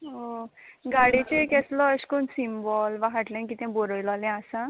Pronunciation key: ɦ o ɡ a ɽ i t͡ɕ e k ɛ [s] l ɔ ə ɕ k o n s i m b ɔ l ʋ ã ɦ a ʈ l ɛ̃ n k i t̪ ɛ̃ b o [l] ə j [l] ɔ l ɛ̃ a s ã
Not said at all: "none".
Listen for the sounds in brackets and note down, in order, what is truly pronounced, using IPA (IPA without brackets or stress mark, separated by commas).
s, ɾ, l